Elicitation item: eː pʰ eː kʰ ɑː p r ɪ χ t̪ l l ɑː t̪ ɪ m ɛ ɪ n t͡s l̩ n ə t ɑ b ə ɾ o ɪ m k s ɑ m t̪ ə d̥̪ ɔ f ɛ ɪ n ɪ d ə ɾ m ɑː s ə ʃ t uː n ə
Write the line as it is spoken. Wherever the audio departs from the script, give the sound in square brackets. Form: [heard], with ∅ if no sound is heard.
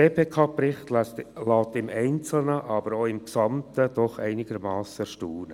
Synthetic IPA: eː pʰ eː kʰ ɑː p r ɪ χ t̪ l l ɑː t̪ ɪ m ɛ ɪ n t͡s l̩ n ə [ʔ] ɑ b ə ɾ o ɪ m k s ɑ m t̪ ə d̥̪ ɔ [χ] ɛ ɪ n ɪ [ɡ] ə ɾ m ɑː s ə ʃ t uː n ə